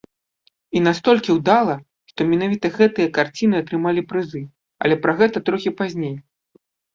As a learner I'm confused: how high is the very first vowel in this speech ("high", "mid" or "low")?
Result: high